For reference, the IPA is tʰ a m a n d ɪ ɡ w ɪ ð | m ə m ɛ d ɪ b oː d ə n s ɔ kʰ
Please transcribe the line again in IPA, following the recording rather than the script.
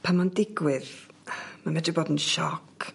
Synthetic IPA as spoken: pʰ a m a n d ɪ ɡ w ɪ ð | m a m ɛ d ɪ b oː d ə n ʃ ɔ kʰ